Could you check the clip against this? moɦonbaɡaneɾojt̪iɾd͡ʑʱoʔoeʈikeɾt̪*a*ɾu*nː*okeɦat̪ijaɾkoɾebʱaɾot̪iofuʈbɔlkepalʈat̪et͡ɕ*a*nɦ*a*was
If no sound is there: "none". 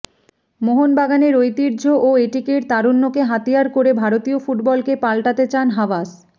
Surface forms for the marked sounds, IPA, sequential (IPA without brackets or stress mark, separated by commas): a, nː, a, a